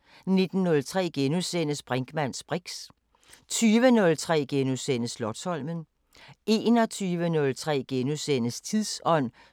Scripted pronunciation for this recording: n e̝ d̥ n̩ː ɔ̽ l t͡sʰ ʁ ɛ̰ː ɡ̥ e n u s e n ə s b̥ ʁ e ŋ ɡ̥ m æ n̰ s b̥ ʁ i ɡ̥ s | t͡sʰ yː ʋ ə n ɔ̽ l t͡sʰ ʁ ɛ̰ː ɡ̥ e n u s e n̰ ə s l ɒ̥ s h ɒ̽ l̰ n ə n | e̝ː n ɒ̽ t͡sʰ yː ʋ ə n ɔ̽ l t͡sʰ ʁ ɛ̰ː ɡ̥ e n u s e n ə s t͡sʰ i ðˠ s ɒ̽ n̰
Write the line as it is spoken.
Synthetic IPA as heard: n e̝ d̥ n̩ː ɔ̽ l t͡sʰ ʁ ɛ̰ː ɡ̥ e n u s e n ə s b̥ ʁ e ŋ ɡ̥ m æ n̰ s b̥ ʁ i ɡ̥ s | t͡sʰ yː ʋ ə n ɔ̽ l t͡sʰ ʁ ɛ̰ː ɡ̥ e n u s e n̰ ə s l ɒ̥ s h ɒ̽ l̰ m ə n | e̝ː n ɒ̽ t͡sʰ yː ʋ ə n ɔ̽ l t͡sʰ ʁ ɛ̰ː ɡ̥ e n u s e n ə s t͡sʰ i ðˠ s ɒ̽ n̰